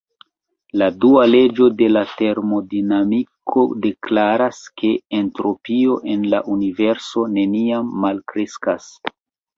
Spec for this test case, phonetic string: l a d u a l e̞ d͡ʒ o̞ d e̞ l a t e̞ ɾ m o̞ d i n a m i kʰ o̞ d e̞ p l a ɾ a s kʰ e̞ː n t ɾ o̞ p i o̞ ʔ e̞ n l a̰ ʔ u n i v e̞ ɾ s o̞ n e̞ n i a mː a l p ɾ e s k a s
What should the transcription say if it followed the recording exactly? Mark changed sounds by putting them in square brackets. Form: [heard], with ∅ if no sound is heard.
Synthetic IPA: l a d u a l e̞ d͡ʒ o̞ d e̞ l a t e̞ ɾ m o̞ d i n a m i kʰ o̞ d e̞ [k] l a ɾ a s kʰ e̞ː n t ɾ o̞ p i o̞ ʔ e̞ n l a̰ ʔ u n i v e̞ ɾ s o̞ n e̞ n i a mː a l [k] ɾ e s k a s

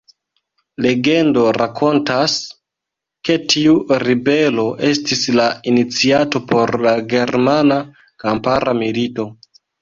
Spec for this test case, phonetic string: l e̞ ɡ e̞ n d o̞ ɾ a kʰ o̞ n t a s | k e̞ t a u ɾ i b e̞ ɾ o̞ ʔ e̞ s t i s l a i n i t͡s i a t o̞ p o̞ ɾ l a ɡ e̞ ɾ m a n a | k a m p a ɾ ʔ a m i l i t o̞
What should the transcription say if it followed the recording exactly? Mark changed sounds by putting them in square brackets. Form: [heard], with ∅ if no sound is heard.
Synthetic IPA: l e̞ ɡ e̞ n d o̞ ɾ a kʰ o̞ n t a s | k e̞ t [i] u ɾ i b e̞ [l] o̞ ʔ e̞ s t i s l a i n i t͡s i a t o̞ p o̞ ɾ l a ɡ e̞ ɾ m a n a | k a m p a ɾ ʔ a m i l i t o̞

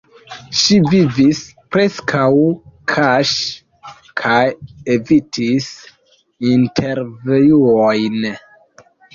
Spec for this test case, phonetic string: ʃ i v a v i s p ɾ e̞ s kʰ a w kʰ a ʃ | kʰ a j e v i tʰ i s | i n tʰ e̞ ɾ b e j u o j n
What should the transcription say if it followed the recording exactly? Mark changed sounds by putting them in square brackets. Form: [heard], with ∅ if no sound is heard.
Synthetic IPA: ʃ i v [i] v i s p ɾ e̞ s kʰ a w kʰ a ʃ | kʰ a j e v i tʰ i s | i n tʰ e̞ ɾ [v] e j u o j n

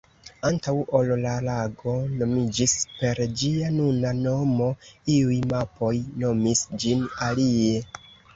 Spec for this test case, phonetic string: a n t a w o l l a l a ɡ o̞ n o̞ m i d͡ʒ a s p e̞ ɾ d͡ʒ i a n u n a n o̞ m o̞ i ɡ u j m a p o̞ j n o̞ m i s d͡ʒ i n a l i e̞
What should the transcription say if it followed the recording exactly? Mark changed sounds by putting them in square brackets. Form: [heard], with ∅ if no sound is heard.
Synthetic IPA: a n t a w o l l a l a ɡ o̞ n o̞ m i d͡ʒ [i] s p e̞ ɾ d͡ʒ i a n u n a n o̞ m o̞ i [∅] u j m a p o̞ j n o̞ m i s d͡ʒ i n a l i e̞

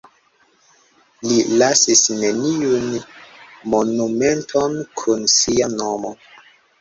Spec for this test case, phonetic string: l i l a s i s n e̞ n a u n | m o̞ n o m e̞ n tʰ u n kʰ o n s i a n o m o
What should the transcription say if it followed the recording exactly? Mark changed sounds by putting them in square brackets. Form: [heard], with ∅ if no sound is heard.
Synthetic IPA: l i l a s i s n e̞ n [i] u n | m o̞ n [u] m e̞ n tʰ [o] n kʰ [u] n s i a n o m o

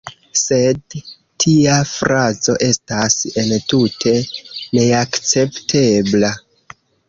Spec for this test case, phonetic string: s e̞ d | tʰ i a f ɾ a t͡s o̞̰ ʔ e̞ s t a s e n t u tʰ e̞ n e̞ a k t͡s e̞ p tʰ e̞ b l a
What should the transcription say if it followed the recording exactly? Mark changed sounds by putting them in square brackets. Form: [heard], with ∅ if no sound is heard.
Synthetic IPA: s e̞ d | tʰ i a f ɾ a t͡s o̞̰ ʔ e̞ s t a s e n t u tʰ e̞ n e̞ a k t͡s e̞ p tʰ e̞ b l a

